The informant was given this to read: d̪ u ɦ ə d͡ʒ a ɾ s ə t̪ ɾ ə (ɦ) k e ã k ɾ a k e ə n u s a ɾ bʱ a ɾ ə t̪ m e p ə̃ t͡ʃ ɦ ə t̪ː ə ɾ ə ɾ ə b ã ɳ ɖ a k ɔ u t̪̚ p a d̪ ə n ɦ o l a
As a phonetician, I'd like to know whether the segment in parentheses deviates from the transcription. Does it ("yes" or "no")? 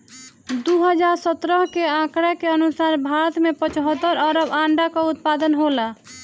no